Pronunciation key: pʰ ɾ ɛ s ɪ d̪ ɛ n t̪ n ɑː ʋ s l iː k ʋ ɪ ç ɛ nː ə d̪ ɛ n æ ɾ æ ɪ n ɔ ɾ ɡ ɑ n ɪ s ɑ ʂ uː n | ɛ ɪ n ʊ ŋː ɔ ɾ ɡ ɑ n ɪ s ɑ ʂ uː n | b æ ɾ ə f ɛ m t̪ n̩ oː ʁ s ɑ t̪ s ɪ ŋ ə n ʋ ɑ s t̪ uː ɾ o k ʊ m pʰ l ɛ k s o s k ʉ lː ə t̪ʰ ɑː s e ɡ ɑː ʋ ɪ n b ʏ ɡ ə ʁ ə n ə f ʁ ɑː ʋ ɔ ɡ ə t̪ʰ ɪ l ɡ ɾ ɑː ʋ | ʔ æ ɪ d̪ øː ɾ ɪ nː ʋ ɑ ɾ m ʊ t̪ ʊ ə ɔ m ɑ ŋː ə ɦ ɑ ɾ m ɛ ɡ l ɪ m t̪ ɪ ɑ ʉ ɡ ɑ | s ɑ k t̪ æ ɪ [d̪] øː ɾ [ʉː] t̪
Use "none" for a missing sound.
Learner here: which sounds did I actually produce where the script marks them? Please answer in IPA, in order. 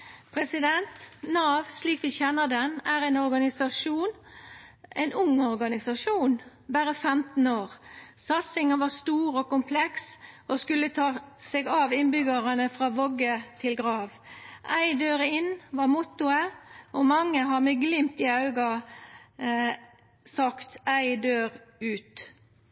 d̪, ʉː

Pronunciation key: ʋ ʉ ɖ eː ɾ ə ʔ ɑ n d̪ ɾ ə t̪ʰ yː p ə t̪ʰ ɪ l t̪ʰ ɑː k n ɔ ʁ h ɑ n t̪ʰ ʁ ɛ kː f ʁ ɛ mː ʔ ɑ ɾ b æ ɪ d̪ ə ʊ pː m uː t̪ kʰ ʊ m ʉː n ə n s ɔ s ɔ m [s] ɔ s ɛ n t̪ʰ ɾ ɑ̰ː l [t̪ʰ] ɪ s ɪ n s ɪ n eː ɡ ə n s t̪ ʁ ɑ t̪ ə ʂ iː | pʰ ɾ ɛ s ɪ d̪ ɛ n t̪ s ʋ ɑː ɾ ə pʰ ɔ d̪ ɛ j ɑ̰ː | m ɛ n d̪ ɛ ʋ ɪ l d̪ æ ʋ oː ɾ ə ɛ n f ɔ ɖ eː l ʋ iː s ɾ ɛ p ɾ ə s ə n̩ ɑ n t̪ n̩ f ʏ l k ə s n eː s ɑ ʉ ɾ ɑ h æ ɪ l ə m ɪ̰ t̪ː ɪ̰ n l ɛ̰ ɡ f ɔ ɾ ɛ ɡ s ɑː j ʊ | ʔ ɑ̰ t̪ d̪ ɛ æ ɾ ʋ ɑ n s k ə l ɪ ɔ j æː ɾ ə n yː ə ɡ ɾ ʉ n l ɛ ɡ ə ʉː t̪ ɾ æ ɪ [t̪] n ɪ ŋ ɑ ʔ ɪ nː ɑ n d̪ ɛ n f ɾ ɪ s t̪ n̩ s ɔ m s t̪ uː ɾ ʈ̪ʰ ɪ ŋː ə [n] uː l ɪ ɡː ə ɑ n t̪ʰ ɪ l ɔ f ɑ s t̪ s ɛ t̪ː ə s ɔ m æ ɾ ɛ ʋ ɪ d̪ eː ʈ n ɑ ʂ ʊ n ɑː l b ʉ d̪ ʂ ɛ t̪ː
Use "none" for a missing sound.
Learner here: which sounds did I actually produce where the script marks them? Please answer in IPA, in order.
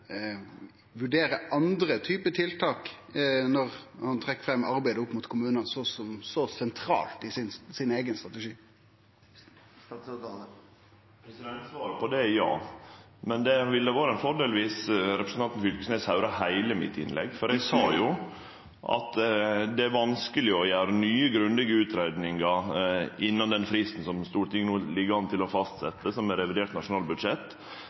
s, t̪, d̪, n

